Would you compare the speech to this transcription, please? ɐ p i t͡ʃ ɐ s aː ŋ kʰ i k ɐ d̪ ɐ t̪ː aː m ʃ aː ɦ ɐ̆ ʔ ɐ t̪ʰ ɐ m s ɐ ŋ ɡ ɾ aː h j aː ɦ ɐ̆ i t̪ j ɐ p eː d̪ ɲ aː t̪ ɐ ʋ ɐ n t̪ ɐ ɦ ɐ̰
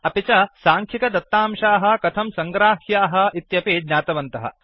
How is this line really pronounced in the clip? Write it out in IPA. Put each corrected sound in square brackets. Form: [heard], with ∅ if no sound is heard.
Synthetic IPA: ɐ p i t͡ʃ ɐ s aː ŋ kʰ i k ɐ d̪ ɐ t̪ː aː m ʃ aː ɦ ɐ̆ [k] ɐ t̪ʰ ɐ m s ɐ ŋ ɡ ɾ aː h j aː ɦ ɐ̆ i t̪ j ɐ p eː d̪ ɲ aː t̪ ɐ ʋ ɐ n t̪ ɐ ɦ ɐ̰